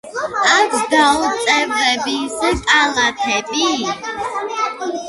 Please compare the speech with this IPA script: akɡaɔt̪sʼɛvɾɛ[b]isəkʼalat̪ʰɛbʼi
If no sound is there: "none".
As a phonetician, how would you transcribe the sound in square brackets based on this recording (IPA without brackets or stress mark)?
b